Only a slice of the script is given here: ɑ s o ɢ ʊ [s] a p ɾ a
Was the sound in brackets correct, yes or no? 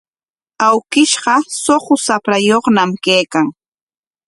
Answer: yes